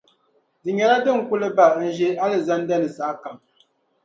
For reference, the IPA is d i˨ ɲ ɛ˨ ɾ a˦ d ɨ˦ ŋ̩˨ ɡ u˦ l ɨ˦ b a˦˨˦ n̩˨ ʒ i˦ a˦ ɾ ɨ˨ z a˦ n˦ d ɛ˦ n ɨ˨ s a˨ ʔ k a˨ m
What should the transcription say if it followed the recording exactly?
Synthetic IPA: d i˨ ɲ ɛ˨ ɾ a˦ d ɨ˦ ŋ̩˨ k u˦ l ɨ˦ b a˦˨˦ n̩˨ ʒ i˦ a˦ l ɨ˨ z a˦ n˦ d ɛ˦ n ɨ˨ s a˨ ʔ k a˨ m

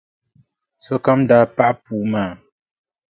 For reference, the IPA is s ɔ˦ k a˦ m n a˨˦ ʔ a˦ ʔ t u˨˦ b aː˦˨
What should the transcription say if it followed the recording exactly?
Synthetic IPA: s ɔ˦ k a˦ m d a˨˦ p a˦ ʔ p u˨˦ m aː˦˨

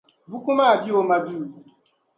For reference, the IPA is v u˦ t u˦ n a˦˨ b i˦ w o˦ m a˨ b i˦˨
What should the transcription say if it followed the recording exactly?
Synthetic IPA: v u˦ k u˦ m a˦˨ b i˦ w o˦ m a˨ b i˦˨

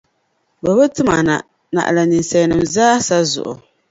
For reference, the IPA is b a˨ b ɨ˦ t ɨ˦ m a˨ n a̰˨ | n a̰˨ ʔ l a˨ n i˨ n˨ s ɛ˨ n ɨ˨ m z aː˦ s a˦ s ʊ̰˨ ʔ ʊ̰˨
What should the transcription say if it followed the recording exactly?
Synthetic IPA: b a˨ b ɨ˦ t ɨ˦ m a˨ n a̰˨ | n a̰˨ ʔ l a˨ n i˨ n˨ s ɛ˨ n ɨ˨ m z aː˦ s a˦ z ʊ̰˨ ʔ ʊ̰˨

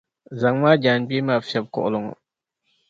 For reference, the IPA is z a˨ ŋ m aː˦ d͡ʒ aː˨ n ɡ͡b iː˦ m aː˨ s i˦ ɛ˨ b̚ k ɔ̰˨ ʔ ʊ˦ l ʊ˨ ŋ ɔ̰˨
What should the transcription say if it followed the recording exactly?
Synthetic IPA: z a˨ ŋ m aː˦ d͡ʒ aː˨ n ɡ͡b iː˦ m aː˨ f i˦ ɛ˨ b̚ k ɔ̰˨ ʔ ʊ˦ l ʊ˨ ŋ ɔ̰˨

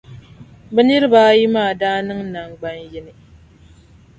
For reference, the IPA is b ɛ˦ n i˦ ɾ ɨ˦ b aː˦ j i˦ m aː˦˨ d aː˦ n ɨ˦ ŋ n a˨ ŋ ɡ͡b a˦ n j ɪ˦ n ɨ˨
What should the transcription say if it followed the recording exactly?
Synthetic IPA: b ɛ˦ n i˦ ɾ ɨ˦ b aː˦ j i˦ m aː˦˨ d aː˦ n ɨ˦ ŋ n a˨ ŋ ɡ͡b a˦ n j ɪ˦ n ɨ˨

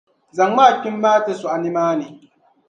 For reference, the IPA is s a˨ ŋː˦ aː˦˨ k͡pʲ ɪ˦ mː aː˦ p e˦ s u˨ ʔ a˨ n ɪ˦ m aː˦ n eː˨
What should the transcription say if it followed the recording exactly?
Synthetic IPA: z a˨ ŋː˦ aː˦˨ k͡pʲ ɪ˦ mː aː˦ t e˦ s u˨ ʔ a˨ n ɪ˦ m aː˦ n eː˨

